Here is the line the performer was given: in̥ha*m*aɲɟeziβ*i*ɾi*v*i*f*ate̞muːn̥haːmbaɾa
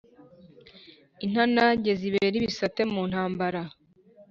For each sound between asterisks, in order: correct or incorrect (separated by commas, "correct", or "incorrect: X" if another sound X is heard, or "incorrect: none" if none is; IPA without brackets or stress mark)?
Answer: incorrect: n, incorrect: e, incorrect: β, incorrect: s